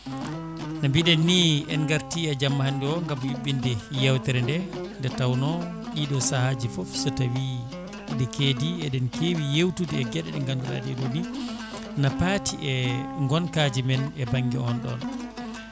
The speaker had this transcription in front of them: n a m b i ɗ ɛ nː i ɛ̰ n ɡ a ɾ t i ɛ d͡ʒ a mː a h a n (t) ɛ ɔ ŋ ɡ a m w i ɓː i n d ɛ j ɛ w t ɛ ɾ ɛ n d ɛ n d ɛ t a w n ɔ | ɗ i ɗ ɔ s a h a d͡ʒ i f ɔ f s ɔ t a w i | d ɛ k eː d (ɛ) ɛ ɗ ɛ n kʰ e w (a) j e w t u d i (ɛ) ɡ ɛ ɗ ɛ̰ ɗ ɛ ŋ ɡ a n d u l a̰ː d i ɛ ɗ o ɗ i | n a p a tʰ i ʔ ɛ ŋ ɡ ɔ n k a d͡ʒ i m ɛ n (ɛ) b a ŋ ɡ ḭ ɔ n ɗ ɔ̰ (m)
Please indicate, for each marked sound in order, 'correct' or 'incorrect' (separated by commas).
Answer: incorrect, incorrect, incorrect, correct, correct, incorrect